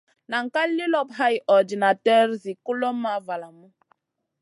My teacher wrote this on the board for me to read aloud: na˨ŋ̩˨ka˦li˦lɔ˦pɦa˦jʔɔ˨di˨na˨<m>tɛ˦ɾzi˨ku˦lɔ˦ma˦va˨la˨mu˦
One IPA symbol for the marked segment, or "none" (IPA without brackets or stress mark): none